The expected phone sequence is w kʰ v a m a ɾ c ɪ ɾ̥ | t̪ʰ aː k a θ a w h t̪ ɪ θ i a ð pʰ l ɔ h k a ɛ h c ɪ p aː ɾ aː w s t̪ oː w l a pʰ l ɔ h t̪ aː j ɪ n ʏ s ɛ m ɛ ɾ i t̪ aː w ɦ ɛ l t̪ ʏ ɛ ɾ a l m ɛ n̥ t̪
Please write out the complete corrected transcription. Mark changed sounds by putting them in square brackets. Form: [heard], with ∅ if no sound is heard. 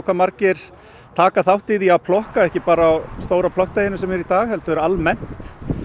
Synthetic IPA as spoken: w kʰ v a m a ɾ c ɪ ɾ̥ | t̪ʰ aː k a θ a w h t̪ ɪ [ð] i a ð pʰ l ɔ h k a ɛ h c ɪ p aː ɾ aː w s t̪ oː w [ɾ] a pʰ l ɔ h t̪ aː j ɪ n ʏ s ɛ m ɛ ɾ i t̪ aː [ɣ] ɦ ɛ l t̪ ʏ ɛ ɾ a l m ɛ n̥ t̪